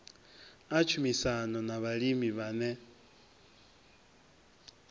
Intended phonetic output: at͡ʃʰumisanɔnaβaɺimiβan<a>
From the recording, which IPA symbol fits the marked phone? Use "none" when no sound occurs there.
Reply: ɛ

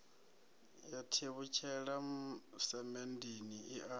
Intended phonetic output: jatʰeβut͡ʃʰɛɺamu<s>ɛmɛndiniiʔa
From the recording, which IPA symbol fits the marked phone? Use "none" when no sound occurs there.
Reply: s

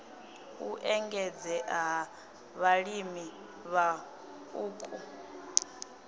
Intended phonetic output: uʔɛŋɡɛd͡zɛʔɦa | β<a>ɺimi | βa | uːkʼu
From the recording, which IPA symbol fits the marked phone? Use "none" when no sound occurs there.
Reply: a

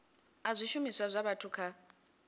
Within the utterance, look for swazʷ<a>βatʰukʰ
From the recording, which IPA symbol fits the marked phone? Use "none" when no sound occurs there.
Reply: a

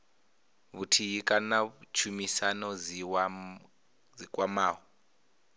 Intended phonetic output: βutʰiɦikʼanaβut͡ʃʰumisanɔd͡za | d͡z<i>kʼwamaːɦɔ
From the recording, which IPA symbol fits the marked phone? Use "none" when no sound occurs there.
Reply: i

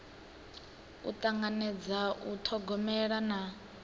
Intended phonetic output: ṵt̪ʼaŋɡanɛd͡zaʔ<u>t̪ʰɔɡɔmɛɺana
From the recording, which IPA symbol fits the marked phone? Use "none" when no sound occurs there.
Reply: u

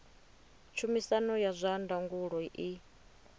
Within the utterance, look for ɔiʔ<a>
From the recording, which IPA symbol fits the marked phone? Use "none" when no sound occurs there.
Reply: i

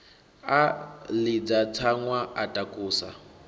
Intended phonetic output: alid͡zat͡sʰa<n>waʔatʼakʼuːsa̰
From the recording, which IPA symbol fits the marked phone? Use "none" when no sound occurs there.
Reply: ŋ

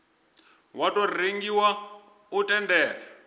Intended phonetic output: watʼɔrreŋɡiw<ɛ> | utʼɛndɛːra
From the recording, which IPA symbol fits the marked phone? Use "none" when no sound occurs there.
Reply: a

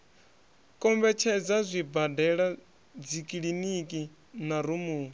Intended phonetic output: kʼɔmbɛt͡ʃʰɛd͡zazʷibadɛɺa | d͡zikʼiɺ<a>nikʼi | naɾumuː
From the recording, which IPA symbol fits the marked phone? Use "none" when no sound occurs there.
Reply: i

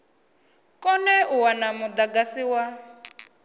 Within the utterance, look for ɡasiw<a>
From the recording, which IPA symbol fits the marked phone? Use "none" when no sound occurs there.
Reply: a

